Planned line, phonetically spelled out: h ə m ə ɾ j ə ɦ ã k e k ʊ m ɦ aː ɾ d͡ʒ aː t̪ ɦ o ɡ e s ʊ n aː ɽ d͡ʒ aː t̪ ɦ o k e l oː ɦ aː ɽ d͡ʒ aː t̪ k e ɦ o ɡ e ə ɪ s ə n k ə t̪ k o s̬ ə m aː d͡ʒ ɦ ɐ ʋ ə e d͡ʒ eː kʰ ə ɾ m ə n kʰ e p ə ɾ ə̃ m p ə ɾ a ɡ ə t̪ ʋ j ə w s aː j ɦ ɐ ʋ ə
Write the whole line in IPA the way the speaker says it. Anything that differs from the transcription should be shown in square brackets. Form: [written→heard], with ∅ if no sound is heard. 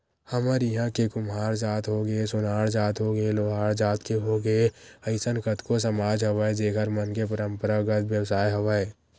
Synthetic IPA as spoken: h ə m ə ɾ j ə ɦ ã k e k ʊ m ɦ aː ɾ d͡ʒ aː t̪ ɦ o ɡ e s ʊ n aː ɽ d͡ʒ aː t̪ ɦ o [k→ɡ] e l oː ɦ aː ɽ d͡ʒ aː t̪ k e ɦ o ɡ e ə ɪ s ə n k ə t̪ k o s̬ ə m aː d͡ʒ ɦ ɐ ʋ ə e d͡ʒ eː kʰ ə ɾ m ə n [kʰ→k] e p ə ɾ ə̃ m p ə ɾ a ɡ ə t̪ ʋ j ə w s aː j ɦ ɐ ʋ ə